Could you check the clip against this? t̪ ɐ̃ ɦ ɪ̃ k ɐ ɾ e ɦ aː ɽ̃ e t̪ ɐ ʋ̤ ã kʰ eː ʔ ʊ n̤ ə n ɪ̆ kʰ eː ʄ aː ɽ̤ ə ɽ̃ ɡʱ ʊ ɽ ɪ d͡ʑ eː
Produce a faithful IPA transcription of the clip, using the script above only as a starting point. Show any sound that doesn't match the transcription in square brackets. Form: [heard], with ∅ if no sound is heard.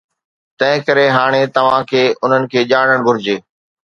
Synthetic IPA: t̪ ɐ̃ ɦ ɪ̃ k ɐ ɾ e ɦ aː ɽ̃ e t̪ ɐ ʋ̤ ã kʰ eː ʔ ʊ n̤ ə n ɪ̆ kʰ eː ʄ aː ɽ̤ ə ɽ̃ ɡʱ ʊ [ɾ] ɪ d͡ʑ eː

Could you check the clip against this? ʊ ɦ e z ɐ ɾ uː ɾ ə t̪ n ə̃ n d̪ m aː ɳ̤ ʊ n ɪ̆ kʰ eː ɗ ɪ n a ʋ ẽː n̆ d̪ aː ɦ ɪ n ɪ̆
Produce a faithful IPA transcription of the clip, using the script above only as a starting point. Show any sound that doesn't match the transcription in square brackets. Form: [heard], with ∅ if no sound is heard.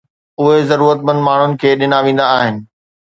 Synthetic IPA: ʊ ɦ e z ɐ ɾ uː ɾ ə t̪ [m] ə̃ n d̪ m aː ɳ̤ ʊ n ɪ̆ kʰ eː ɗ ɪ n a ʋ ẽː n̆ d̪ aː ɦ ɪ n ɪ̆

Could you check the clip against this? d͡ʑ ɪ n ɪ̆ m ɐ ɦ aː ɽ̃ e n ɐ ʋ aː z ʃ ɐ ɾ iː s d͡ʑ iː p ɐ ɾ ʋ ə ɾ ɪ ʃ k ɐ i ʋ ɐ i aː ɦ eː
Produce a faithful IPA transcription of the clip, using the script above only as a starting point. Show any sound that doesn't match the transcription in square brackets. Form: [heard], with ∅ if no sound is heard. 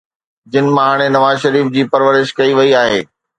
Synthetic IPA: d͡ʑ ɪ n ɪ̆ m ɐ ɦ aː ɽ̃ e n ɐ ʋ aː z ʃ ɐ ɾ iː [f] d͡ʑ iː p ɐ ɾ ʋ ə ɾ ɪ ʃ k ɐ i ʋ ɐ i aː ɦ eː

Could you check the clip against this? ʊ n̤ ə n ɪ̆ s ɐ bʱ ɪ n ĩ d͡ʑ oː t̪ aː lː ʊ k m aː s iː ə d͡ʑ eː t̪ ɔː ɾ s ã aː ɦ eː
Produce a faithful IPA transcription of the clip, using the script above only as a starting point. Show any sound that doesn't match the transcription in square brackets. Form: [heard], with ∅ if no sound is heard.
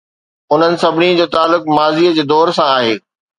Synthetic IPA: ʊ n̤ ə n ɪ̆ s ɐ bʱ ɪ n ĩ d͡ʑ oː t̪ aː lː ʊ k m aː [z] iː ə d͡ʑ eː [d̪] ɔː ɾ s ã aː ɦ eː

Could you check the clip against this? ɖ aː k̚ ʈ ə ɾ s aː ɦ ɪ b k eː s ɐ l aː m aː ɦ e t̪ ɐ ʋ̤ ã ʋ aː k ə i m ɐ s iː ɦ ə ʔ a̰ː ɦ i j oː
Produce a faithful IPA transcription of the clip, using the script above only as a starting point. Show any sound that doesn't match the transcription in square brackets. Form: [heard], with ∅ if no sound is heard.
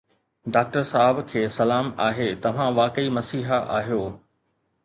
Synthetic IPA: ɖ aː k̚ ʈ ə ɾ s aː ɦ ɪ b [kʰ] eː s ɐ l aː m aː ɦ e t̪ ɐ ʋ̤ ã ʋ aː k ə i m ɐ s iː ɦ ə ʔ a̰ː ɦ i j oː

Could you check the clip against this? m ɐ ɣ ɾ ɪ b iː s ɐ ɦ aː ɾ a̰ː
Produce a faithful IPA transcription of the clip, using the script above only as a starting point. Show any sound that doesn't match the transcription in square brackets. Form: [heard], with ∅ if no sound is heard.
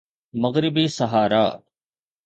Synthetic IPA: m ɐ ɣ ɾ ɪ b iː s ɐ ɦ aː ɾ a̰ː

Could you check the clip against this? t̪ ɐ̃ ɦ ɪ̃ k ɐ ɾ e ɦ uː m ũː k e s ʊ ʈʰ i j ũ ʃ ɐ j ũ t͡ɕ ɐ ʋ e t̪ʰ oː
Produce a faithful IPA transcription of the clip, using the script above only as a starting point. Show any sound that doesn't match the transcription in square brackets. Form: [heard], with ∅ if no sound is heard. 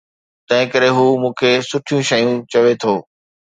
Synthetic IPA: t̪ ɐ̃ ɦ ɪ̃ k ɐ ɾ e ɦ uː m ũː [kʰ] e s ʊ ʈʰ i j ũ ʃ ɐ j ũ t͡ɕ ɐ ʋ e t̪ʰ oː

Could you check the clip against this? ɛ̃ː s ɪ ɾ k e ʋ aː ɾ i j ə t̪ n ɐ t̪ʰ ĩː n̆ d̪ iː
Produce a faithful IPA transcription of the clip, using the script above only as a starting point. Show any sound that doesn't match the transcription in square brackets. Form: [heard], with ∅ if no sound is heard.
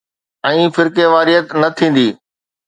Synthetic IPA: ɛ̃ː [f] ɪ ɾ k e ʋ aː ɾ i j ə t̪ n ɐ t̪ʰ ĩː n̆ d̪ iː

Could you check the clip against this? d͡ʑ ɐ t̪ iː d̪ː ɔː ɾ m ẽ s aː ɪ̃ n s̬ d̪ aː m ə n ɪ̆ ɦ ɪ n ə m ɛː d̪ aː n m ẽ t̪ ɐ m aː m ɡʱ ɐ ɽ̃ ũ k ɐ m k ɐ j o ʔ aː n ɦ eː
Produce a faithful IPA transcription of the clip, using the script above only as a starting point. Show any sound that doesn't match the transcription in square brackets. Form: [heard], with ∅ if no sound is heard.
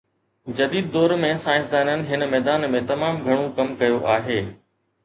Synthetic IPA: d͡ʑ ɐ [d̪] iː d̪ː ɔː ɾ m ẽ s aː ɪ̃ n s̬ d̪ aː [n] ə n ɪ̆ ɦ ɪ n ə m ɛː d̪ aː n m ẽ t̪ ɐ m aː m ɡʱ ɐ ɽ̃ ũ k ɐ m k ɐ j o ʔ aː [∅] ɦ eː

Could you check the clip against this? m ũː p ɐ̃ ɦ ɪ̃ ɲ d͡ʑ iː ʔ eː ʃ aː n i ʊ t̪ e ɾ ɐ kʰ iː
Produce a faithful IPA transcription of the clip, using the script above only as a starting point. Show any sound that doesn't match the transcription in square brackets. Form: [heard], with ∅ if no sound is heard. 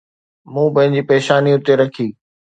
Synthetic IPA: m ũː p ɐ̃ ɦ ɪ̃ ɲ d͡ʑ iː [p] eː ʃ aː n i ʊ t̪ e ɾ ɐ kʰ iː

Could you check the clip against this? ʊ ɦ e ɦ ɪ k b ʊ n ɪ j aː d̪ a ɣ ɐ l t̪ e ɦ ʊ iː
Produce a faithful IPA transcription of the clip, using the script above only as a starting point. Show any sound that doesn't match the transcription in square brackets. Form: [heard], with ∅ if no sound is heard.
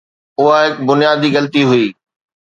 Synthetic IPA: ʊ ɦ [a] ɦ ɪ k b ʊ n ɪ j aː d̪ [i] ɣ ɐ l t̪ [i] ɦ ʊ iː

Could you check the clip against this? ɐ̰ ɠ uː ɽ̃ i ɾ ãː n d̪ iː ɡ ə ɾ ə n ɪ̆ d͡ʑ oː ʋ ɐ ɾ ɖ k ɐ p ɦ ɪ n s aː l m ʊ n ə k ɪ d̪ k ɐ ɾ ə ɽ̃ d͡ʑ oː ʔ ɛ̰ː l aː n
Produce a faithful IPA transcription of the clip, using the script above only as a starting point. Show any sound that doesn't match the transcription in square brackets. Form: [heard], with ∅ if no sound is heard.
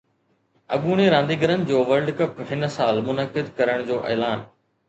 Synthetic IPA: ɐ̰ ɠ uː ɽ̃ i ɾ ãː n d̪ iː ɡ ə ɾ ə n ɪ̆ d͡ʑ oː ʋ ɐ ɾ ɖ k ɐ p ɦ ɪ n s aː l m ʊ n ə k ɪ d̪ k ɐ ɾ ə ɽ̃ d͡ʑ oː ʔ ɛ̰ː l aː n

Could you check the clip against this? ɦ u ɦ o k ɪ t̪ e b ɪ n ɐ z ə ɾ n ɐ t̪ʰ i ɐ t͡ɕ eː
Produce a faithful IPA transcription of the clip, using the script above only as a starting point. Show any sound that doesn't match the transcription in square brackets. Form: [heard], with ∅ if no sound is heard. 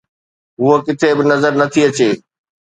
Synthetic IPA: ɦ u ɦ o k ɪ [t̪ʰ] e b ɪ n ɐ z ə ɾ n ɐ t̪ʰ i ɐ t͡ɕ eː

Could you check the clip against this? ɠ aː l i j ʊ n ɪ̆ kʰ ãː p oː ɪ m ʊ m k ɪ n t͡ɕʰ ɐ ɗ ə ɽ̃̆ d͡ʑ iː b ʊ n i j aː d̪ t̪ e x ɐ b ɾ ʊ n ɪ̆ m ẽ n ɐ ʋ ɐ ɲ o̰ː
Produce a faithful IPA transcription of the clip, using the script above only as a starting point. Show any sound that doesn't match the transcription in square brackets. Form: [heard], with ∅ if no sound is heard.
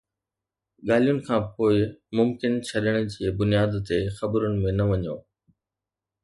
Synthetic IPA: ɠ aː l i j ʊ n ɪ̆ kʰ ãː p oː ɪ m ʊ m k ɪ n t͡ɕʰ ɐ ɗ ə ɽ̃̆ d͡ʑ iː b ʊ n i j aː d̪ t̪ e x ɐ b ɾ ʊ n ɪ̆ m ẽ n ɐ ʋ ɐ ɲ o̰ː

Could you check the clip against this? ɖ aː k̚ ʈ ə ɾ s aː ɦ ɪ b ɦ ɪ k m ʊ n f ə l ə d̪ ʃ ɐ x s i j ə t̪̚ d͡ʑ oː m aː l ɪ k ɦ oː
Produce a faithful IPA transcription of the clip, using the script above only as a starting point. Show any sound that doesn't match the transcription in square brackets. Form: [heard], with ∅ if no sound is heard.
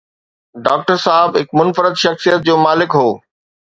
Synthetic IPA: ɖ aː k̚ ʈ ə ɾ s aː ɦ ɪ b ɦ ɪ k m ʊ n f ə [ɾ] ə d̪ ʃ ɐ x s i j ə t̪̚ d͡ʑ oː m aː l ɪ k ɦ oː

